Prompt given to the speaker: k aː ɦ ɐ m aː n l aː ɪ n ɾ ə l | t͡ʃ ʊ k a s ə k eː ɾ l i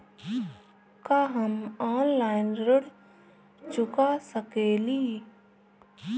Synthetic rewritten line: k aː ɦ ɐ m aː n l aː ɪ n ɾ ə ɽ | t͡ʃ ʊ k a s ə k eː l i